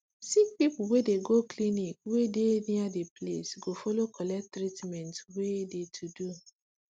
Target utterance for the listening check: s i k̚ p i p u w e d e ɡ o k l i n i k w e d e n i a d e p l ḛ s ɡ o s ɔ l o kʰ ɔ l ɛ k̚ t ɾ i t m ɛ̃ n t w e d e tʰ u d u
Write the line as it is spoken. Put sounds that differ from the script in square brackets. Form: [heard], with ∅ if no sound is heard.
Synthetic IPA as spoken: s i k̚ p i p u w e d e ɡ o k l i n i k w e d e n i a d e p l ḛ s ɡ o [f] ɔ l o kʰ ɔ l ɛ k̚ t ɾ i t m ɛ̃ n t w e d e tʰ u d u